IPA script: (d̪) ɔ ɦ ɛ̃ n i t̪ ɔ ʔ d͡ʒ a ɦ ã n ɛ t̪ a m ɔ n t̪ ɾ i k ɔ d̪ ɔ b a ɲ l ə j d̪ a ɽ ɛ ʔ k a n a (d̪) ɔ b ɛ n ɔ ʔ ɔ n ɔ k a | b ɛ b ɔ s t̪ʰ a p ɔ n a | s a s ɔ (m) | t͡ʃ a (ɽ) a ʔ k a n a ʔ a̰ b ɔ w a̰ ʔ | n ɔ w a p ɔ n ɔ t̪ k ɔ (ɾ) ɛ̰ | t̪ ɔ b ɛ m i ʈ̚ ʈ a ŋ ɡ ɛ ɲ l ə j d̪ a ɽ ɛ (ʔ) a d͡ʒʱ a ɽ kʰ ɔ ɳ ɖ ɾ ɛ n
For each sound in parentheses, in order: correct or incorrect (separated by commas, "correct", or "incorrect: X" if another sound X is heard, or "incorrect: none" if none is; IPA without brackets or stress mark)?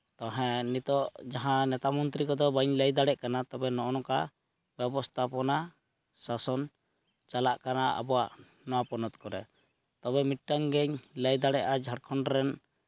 incorrect: t̪, incorrect: t̪, incorrect: n, incorrect: l, correct, correct